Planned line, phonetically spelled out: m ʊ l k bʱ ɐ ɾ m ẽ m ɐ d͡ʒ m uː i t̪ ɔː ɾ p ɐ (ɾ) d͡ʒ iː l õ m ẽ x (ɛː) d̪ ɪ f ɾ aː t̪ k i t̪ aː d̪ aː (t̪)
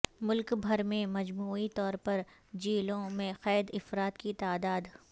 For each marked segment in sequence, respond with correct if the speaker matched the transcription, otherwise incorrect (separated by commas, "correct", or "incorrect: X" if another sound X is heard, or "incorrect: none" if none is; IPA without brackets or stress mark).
correct, correct, incorrect: d̪